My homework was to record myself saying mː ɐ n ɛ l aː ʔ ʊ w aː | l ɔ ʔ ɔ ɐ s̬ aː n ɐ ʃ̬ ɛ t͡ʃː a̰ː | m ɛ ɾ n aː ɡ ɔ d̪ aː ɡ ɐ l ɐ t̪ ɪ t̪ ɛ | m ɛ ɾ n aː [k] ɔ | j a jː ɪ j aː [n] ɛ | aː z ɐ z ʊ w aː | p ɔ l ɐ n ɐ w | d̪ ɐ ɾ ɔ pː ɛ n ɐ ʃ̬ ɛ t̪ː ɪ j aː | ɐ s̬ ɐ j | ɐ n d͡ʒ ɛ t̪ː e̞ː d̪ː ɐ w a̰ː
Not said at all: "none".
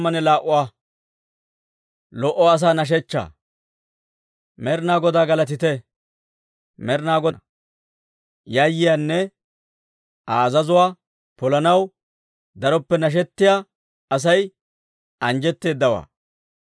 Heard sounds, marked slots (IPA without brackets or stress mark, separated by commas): ɡ, nː